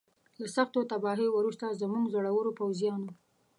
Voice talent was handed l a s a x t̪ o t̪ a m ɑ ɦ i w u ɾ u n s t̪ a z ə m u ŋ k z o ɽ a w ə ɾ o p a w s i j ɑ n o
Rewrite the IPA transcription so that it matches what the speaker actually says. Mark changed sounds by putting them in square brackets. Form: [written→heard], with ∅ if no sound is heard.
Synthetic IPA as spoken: l a s a x t̪ o t̪ a [m→b] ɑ ɦ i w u ɾ u [n→∅] s t̪ a z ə m u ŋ [k→ɡ] z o ɽ a w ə ɾ o p a w [s→z] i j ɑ n o